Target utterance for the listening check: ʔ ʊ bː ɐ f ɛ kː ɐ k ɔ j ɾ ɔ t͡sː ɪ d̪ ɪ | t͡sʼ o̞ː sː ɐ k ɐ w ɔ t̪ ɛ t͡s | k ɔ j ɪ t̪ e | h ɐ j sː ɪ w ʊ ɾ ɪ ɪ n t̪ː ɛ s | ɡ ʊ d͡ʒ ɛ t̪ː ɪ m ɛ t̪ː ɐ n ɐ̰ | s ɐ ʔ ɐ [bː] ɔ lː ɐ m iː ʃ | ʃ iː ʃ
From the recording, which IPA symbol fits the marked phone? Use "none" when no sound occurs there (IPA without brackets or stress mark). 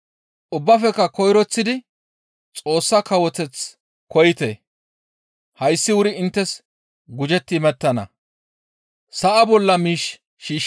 b